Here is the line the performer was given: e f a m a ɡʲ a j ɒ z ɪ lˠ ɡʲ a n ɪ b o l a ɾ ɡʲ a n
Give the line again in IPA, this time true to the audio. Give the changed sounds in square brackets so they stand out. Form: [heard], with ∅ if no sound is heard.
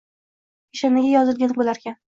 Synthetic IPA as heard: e [ʃ] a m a ɡʲ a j ɒ z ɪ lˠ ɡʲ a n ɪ b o l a ɾ [kʲ] a n